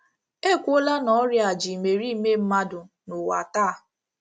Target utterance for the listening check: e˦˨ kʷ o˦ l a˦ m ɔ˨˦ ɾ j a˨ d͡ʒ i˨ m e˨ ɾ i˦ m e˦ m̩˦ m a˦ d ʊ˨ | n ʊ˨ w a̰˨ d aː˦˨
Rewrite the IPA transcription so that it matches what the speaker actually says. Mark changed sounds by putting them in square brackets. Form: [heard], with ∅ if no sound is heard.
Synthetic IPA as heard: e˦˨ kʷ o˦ l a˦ [n] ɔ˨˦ ɾ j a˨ d͡ʒ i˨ m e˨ ɾ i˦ m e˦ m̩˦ m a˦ d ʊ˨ | n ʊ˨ w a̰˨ [t] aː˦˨

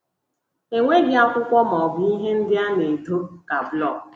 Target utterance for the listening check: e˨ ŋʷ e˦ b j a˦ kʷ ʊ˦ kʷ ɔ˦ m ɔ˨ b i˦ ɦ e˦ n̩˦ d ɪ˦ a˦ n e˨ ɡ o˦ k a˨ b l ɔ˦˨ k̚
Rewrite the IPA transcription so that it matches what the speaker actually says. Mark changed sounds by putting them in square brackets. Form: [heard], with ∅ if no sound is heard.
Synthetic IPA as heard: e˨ ŋʷ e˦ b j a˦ kʷ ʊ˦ kʷ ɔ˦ m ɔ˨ b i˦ ɦ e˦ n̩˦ d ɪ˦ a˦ n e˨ [d] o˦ k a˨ b l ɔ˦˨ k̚

